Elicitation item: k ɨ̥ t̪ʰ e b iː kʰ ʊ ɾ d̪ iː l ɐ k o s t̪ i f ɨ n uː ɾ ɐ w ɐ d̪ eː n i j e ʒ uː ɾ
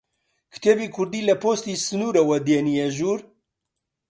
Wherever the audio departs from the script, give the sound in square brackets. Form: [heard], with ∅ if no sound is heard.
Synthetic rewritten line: k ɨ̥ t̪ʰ e b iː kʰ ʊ ɾ d̪ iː l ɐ [p] o s t̪ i [s] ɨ n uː ɾ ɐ w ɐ d̪ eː n i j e ʒ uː ɾ